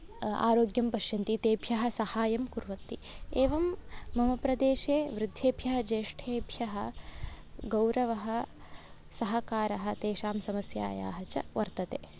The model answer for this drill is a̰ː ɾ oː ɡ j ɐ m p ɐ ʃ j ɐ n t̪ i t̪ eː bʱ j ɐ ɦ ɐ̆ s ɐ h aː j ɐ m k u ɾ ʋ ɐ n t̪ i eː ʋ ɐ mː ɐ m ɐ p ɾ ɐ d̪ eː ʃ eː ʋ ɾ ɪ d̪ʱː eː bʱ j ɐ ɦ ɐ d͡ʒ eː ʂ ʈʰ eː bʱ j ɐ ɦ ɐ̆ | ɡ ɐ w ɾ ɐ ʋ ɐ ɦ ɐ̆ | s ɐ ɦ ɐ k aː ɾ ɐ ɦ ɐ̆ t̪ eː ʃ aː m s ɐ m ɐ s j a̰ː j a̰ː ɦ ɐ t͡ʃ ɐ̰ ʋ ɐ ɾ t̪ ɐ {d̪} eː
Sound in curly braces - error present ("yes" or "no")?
yes